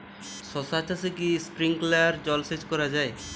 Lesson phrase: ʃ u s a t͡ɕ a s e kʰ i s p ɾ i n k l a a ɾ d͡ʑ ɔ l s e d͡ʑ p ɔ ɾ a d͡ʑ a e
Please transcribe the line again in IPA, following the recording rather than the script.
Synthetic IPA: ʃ ɔ s a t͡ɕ a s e k i s p ɾ i ŋ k l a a ɾ d͡ʑ ɔ l s e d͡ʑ k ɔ ɾ a d͡ʑ a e